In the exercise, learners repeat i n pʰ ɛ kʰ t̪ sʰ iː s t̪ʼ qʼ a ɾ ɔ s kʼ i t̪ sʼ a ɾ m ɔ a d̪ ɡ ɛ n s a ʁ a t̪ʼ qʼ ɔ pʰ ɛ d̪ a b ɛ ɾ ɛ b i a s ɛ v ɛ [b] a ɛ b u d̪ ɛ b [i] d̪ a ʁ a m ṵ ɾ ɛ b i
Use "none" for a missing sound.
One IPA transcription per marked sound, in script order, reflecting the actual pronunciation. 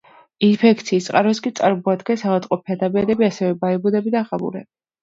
b, i

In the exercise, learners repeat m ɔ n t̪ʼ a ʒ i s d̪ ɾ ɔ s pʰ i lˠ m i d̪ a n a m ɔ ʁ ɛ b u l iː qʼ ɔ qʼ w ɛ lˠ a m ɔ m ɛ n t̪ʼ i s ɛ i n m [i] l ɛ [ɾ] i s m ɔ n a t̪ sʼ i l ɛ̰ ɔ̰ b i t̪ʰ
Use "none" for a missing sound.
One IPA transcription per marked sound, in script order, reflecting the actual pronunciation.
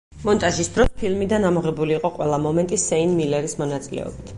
i, ɾ

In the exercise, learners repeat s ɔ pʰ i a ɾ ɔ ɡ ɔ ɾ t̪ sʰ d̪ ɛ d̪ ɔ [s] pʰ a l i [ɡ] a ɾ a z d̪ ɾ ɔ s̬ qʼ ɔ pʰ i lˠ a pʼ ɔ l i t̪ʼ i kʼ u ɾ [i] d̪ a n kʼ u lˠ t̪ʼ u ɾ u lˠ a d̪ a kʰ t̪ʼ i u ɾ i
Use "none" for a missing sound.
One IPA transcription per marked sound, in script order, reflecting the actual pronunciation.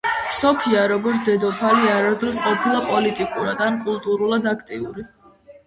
none, none, a

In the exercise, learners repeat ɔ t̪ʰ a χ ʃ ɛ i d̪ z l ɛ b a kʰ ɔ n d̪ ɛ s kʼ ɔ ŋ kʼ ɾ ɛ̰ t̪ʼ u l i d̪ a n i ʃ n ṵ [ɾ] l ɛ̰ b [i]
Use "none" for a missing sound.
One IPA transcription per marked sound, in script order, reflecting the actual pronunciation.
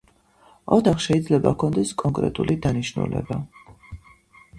none, a

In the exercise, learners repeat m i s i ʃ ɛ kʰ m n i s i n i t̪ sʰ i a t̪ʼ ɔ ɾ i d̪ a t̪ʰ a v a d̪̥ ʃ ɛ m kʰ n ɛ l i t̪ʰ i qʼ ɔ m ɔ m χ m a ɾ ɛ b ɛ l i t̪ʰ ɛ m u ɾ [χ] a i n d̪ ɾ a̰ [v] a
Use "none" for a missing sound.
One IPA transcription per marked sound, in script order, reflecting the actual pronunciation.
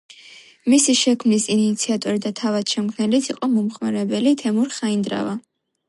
χ, v

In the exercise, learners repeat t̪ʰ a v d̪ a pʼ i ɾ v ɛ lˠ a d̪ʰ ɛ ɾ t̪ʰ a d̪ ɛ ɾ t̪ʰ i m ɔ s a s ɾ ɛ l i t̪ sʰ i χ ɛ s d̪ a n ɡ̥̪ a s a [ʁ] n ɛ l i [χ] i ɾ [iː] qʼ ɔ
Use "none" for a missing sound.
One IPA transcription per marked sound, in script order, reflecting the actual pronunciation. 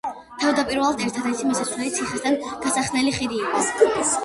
χ, χ, iː

